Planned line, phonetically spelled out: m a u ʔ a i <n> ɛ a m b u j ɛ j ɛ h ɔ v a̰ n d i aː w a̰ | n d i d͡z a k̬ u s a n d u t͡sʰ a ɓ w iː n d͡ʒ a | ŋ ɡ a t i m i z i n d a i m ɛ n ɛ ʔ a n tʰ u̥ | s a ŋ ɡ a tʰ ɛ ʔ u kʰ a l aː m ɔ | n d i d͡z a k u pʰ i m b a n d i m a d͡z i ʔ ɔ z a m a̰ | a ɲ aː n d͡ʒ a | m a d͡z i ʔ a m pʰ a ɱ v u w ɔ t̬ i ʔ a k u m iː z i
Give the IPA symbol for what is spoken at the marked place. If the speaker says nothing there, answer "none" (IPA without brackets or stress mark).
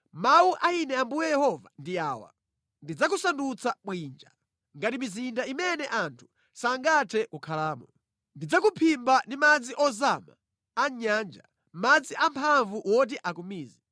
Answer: n